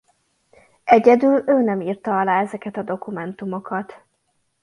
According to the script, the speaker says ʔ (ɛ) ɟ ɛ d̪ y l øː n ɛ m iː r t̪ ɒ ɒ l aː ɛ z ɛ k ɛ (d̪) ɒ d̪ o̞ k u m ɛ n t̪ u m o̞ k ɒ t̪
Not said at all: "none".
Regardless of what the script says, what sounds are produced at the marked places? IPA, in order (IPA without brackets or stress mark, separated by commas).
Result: ɛ, t̪